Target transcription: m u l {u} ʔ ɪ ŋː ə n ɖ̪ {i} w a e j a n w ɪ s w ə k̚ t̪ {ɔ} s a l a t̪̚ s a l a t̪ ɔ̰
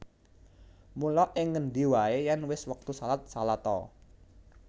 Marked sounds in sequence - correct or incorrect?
incorrect: ɔ, correct, incorrect: u

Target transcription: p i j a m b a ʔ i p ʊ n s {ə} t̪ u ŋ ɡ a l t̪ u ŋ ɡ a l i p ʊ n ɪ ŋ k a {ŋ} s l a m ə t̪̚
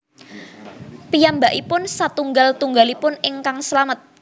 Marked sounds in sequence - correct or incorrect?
incorrect: a, correct

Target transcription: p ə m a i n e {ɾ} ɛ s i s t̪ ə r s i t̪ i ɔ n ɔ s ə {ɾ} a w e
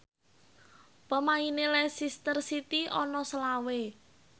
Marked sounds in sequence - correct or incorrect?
incorrect: l, incorrect: l

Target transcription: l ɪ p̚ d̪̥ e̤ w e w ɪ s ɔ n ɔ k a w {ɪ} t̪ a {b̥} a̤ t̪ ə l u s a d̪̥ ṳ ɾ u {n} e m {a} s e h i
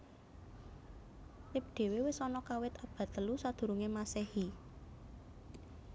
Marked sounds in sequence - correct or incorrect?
correct, correct, incorrect: ŋ, correct

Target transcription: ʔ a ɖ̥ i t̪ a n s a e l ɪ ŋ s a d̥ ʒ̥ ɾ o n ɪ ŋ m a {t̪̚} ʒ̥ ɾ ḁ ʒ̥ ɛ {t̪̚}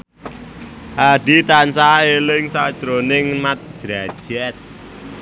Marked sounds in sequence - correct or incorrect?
correct, correct

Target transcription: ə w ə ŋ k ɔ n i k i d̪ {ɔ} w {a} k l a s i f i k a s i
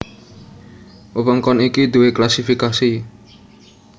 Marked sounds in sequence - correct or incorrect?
incorrect: u, incorrect: e

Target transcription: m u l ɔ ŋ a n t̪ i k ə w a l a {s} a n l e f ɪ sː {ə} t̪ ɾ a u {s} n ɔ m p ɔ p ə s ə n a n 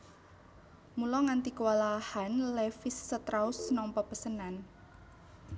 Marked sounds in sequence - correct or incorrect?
incorrect: h, correct, correct

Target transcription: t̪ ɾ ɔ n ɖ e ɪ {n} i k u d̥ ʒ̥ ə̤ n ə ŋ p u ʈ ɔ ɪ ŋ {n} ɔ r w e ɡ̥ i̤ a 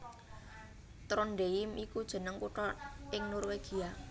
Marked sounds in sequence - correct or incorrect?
incorrect: m, correct

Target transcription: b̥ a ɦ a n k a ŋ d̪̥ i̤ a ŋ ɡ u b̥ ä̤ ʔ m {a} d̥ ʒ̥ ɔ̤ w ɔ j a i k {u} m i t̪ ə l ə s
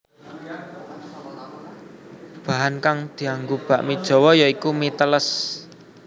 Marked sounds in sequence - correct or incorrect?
incorrect: i, correct

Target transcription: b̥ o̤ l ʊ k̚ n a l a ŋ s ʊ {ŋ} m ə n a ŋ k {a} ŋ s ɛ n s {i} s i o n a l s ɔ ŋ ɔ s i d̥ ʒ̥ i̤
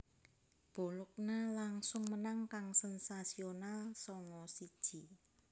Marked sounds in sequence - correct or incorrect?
correct, correct, incorrect: a

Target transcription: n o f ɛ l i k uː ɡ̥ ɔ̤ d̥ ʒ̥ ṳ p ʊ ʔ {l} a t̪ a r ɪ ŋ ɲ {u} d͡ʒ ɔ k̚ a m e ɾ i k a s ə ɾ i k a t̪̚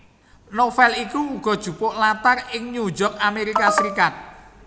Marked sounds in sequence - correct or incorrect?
correct, correct

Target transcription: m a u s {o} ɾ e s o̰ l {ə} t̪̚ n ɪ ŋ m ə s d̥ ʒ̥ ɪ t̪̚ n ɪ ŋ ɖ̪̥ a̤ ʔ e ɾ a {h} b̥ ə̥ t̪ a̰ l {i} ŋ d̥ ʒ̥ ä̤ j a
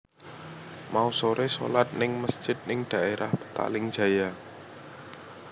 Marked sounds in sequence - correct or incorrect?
correct, incorrect: a, correct, incorrect: ɪ

